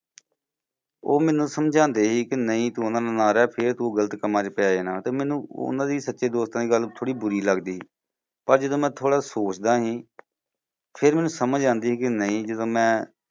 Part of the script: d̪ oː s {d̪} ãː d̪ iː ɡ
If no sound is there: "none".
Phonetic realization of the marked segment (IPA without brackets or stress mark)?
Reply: t̪